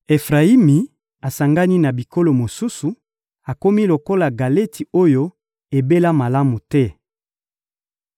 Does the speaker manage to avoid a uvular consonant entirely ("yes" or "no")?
no